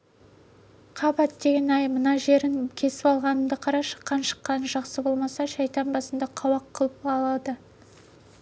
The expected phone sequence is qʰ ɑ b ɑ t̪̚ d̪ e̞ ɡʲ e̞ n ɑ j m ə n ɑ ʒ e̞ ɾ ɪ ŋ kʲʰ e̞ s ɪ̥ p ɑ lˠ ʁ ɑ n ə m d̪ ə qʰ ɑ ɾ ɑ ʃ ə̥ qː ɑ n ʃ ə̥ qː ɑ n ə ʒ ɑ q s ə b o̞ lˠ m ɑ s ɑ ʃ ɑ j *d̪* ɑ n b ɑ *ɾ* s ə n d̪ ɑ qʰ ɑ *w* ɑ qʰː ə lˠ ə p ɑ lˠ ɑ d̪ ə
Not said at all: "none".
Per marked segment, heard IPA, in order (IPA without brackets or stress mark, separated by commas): t̪, none, w